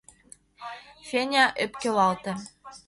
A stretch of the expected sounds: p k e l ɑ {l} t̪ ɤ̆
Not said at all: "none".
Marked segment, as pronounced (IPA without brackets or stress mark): l